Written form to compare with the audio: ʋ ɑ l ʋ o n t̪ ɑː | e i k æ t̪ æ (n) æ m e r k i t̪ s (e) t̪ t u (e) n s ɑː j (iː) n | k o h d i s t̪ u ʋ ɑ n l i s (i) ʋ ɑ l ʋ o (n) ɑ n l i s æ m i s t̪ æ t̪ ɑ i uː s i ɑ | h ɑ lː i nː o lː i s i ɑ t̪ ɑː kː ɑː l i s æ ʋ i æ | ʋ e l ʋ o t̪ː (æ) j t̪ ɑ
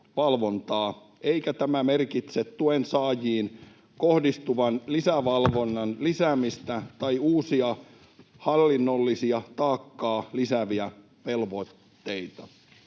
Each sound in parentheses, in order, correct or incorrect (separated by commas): incorrect, correct, correct, correct, incorrect, incorrect, incorrect